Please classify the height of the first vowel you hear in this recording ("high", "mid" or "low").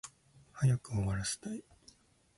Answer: low